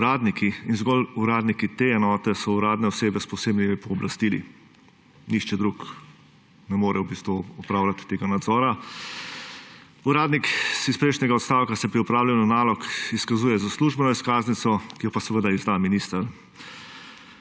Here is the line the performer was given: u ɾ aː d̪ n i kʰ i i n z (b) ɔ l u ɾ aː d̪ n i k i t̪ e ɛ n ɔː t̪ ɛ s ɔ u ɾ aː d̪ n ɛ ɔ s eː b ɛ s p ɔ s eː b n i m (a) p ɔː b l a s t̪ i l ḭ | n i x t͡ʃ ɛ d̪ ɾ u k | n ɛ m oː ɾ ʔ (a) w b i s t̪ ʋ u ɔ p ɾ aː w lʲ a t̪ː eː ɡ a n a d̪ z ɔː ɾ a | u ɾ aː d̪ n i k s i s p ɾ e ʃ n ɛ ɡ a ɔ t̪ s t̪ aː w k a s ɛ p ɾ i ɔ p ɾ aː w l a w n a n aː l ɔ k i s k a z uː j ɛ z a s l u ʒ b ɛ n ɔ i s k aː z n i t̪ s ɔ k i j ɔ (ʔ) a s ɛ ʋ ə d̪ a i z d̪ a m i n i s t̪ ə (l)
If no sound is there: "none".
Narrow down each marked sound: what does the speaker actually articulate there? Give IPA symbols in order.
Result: ɡ, i, ɛ, p, ɾ

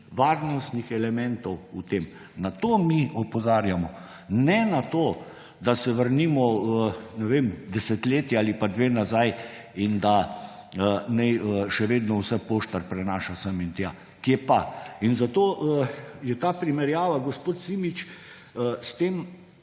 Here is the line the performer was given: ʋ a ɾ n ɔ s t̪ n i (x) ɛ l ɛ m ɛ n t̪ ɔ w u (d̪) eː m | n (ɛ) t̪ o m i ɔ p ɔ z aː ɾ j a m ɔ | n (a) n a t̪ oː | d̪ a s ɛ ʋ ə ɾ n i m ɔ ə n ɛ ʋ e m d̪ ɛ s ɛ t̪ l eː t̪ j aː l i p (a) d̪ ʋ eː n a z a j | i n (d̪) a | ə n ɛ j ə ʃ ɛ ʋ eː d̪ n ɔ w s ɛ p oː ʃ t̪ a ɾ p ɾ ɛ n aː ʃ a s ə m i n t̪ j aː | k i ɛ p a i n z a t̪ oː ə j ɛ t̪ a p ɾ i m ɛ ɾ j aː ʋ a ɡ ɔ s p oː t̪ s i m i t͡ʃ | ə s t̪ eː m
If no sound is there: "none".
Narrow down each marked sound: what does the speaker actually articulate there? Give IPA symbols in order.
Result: x, t̪, a, ɛ, a, d̪

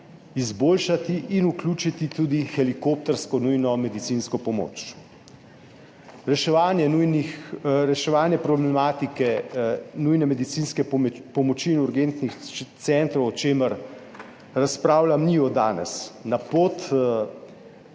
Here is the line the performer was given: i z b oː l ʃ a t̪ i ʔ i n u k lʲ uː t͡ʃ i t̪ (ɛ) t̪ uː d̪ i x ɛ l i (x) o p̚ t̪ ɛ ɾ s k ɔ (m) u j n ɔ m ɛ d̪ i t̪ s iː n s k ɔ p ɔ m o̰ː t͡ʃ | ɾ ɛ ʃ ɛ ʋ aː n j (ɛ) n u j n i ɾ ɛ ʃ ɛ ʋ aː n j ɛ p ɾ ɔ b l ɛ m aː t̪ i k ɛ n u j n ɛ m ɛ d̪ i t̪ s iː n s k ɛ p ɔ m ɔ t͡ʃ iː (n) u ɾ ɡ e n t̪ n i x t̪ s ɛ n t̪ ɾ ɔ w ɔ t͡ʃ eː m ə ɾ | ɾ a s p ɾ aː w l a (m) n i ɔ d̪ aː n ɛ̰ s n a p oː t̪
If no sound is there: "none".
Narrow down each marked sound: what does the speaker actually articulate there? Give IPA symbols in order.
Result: i, k, n, ɛ, n, m

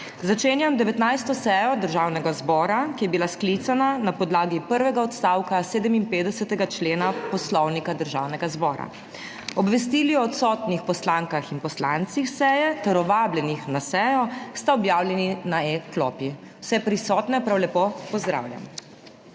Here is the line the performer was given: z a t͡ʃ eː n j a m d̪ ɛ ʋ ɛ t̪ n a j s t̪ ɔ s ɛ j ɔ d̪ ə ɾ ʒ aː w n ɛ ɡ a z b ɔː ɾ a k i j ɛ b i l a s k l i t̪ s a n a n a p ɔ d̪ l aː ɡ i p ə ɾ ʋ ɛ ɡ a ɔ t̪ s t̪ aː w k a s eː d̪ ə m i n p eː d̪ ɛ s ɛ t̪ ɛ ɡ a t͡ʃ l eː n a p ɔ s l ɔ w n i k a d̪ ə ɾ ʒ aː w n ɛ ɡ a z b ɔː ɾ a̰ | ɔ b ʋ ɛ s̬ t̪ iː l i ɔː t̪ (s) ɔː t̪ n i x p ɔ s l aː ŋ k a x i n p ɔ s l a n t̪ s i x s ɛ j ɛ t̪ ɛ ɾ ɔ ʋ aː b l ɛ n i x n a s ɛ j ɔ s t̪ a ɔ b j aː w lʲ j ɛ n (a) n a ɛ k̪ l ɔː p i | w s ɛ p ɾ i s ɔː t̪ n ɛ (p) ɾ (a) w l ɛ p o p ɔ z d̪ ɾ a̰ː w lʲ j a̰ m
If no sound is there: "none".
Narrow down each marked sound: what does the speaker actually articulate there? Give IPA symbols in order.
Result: s, i, p, a

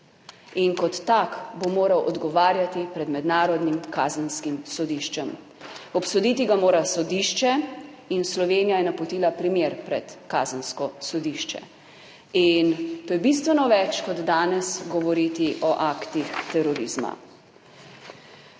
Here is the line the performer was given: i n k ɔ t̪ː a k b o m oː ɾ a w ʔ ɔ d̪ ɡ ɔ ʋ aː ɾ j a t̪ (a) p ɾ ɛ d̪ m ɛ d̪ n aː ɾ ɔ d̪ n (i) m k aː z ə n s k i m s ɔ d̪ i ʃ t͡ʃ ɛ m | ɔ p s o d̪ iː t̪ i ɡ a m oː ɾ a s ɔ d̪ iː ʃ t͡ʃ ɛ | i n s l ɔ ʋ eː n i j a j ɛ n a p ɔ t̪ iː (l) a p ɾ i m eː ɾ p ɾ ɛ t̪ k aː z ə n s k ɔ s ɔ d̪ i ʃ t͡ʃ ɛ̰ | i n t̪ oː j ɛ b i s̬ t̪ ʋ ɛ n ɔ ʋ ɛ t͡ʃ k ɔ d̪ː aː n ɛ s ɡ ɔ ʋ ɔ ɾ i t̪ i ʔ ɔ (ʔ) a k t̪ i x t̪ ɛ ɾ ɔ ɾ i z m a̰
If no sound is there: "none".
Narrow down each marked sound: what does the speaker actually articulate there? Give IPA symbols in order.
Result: i, i, l, ʔ

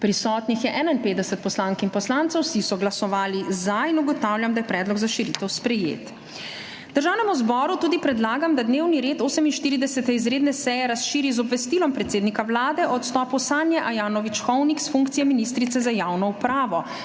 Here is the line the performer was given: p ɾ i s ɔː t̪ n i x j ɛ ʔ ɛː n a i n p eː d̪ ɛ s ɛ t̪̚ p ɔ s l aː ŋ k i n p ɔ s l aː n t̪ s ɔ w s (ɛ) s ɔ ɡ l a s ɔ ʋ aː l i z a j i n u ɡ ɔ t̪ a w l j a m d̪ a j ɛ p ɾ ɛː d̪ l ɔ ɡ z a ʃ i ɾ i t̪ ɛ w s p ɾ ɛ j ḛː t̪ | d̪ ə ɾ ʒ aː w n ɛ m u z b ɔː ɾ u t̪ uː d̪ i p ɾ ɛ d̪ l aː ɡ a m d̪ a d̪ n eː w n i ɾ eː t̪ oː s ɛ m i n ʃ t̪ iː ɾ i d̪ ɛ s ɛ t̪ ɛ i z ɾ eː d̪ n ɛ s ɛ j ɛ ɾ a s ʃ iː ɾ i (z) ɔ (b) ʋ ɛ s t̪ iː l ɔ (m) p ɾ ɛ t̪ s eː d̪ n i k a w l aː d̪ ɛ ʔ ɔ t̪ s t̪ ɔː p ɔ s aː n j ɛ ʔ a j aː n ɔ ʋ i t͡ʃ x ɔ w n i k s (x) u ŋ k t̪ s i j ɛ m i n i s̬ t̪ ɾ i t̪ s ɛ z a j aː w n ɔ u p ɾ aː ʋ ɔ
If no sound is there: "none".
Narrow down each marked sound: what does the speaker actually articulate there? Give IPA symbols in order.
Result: i, z, b, m, f

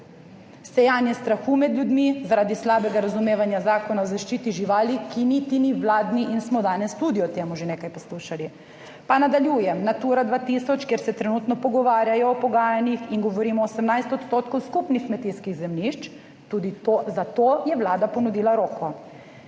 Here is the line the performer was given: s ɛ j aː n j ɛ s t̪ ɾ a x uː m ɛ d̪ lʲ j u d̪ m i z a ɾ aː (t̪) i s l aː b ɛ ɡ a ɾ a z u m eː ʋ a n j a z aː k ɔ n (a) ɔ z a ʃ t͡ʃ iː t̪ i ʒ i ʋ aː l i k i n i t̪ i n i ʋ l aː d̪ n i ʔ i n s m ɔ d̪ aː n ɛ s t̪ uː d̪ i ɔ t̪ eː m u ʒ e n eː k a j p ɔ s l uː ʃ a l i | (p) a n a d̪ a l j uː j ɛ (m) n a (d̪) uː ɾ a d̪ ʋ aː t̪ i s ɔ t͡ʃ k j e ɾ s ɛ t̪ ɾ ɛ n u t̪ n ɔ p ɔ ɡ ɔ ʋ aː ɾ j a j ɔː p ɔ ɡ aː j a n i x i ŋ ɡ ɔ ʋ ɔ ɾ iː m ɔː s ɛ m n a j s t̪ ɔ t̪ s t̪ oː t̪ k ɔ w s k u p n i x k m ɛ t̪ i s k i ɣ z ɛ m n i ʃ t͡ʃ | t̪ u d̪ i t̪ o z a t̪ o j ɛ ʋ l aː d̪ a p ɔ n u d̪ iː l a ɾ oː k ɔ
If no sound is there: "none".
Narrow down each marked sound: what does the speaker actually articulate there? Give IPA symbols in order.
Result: d̪, a, p, m, t̪

